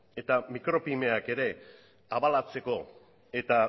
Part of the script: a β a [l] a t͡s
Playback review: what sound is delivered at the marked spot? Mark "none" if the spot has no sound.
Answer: l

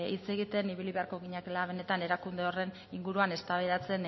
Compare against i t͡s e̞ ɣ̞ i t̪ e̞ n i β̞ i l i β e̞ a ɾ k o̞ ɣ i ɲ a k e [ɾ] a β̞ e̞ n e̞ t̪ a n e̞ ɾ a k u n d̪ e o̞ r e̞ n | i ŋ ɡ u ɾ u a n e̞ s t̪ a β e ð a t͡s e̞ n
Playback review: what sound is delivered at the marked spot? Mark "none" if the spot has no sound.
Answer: l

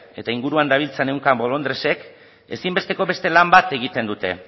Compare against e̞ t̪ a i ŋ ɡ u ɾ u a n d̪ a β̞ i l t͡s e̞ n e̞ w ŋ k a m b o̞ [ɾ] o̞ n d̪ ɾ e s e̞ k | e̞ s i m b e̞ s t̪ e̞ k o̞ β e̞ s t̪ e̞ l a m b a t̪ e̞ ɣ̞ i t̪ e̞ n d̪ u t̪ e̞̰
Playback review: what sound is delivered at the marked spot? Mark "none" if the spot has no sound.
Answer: l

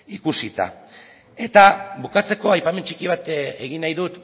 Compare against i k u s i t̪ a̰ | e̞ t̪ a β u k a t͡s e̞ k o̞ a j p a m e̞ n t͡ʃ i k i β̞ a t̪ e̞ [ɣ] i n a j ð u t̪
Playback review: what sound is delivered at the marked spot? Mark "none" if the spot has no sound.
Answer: ɣ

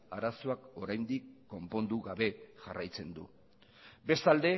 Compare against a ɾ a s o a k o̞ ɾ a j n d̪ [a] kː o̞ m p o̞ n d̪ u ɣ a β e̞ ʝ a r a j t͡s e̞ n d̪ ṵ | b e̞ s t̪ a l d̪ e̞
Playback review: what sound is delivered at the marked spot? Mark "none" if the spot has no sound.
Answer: i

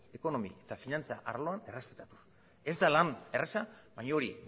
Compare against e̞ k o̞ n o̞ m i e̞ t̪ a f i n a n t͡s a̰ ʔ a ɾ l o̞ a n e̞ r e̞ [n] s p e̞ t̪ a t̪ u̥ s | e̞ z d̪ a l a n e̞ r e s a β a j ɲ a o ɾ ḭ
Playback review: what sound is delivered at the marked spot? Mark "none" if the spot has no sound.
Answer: none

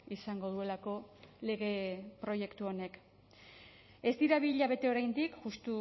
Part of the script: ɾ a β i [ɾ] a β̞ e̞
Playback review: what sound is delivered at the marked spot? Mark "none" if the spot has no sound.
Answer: ʎ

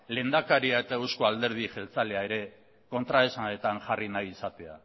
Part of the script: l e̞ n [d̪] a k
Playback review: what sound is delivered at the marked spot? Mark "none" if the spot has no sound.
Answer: d̪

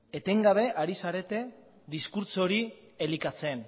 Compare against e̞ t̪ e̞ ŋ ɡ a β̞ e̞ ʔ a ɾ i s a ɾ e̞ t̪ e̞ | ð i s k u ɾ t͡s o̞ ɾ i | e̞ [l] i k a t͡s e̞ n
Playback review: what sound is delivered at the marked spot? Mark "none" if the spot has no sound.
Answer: l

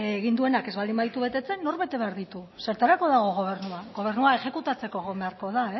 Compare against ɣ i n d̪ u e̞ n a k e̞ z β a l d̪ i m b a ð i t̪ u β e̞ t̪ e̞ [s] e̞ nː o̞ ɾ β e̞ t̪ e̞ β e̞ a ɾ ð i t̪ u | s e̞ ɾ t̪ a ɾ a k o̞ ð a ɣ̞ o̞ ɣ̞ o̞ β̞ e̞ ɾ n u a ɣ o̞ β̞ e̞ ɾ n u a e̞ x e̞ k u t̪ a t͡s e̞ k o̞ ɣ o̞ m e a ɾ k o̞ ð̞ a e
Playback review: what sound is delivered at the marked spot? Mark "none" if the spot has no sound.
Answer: t͡s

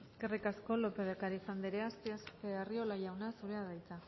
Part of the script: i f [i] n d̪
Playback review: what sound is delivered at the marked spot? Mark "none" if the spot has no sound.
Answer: a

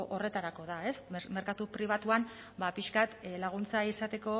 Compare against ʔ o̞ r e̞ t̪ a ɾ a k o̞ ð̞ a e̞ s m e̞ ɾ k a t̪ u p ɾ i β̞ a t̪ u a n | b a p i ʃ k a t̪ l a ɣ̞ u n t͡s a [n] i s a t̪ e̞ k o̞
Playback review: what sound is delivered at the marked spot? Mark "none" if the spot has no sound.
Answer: none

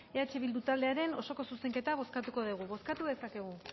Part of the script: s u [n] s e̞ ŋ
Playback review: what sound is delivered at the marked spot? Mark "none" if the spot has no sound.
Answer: none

